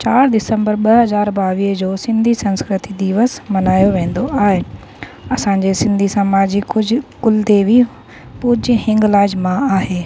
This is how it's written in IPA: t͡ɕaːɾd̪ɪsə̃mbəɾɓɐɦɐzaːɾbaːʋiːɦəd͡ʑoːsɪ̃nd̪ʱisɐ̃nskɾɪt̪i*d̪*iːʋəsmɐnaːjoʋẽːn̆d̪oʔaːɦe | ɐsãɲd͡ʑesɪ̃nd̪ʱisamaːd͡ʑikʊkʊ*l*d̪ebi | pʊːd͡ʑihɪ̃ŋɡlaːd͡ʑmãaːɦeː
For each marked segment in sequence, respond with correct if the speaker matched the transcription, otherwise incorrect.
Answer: correct, correct

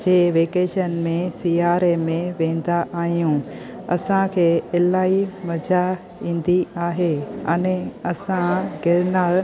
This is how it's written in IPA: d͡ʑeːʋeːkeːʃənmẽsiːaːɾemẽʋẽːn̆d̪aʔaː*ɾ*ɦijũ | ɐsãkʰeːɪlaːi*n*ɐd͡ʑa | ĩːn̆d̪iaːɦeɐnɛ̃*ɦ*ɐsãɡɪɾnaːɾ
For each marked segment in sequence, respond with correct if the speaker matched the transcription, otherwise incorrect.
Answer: incorrect: none, incorrect: m, incorrect: none

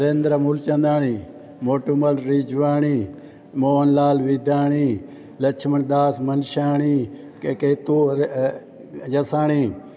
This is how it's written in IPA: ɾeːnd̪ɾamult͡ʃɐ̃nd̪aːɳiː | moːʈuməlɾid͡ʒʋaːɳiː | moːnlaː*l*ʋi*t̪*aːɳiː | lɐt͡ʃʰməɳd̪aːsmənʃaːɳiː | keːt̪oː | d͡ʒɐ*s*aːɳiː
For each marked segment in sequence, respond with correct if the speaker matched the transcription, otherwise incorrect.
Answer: correct, incorrect: d̪, correct

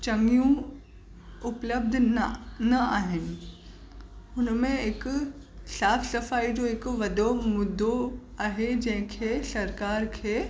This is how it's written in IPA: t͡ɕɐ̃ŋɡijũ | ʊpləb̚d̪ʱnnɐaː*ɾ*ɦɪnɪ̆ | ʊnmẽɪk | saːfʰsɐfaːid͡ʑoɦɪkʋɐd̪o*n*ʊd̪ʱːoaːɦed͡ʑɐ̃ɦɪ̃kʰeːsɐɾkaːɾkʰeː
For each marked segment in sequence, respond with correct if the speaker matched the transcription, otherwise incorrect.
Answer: incorrect: none, incorrect: m

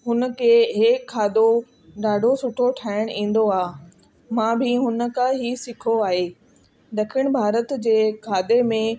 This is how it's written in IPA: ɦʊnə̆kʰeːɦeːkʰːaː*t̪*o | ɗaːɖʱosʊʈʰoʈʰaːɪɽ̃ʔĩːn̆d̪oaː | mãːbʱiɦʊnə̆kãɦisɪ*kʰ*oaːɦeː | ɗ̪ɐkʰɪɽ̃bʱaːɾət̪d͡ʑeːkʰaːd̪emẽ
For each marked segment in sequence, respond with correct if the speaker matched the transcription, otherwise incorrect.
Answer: incorrect: d̪, correct

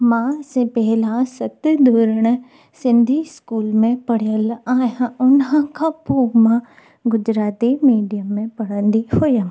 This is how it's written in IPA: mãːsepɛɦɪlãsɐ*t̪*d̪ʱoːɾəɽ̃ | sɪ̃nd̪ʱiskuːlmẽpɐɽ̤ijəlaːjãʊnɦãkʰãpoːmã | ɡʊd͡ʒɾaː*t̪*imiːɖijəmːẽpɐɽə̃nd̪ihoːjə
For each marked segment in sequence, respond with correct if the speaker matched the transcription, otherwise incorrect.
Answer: correct, correct

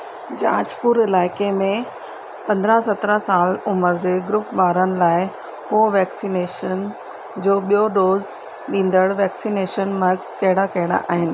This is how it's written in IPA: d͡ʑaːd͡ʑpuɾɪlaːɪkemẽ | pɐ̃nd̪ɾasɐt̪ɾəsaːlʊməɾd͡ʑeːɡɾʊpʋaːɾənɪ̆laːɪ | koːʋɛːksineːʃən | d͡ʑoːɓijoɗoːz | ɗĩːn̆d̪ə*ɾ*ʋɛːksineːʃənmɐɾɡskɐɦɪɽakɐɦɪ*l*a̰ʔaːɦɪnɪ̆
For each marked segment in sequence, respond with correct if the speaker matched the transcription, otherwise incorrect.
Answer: incorrect: ɽ, incorrect: ɽ

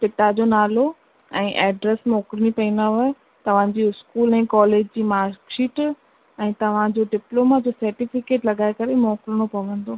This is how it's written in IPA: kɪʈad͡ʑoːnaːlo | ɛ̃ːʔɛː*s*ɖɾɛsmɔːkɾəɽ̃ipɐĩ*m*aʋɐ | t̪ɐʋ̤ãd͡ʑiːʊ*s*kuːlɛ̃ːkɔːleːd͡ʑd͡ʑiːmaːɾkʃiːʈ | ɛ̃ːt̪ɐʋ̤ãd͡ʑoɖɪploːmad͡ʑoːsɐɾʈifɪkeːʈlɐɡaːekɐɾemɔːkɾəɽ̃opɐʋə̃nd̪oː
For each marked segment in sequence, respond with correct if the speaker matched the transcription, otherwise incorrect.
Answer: incorrect: none, incorrect: n, correct

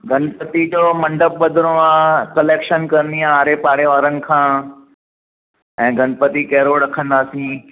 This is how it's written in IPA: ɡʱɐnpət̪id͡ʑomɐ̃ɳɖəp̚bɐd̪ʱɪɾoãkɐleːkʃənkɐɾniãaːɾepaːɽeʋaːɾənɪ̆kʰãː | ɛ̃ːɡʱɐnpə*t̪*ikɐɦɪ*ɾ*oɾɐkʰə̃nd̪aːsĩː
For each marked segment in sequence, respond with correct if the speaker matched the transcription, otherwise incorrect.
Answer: correct, correct

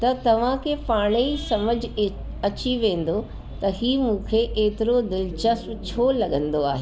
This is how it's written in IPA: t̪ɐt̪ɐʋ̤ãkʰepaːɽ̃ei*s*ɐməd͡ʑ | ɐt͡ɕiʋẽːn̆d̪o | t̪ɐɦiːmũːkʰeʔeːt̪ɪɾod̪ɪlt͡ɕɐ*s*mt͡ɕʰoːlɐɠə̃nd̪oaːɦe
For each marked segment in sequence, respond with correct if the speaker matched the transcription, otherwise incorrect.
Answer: correct, correct

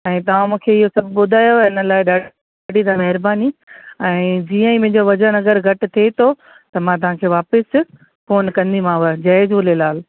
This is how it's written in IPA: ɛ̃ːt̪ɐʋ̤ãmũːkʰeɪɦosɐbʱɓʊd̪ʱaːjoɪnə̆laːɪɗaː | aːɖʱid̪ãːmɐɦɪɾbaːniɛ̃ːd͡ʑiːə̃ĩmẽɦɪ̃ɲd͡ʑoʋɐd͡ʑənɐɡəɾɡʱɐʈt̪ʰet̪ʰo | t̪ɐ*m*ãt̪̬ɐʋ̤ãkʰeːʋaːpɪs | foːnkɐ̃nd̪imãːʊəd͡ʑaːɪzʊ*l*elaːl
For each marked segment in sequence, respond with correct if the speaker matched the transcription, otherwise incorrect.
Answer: correct, correct

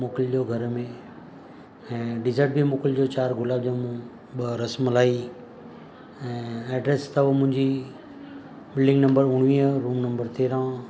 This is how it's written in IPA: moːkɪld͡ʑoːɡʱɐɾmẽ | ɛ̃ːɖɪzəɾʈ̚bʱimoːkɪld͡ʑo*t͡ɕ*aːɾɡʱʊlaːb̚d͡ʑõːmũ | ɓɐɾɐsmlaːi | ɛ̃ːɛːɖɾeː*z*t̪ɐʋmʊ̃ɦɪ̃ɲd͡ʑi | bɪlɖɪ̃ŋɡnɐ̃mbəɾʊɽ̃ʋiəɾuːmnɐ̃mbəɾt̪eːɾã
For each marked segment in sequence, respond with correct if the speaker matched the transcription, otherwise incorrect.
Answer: correct, incorrect: s

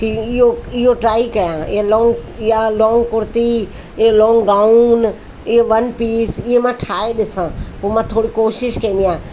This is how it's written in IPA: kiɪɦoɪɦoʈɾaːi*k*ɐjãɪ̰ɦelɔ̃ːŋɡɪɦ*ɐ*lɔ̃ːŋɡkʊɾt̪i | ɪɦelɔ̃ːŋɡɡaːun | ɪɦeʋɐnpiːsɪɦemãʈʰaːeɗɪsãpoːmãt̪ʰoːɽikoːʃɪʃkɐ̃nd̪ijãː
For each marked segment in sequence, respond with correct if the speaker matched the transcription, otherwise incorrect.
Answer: correct, incorrect: a

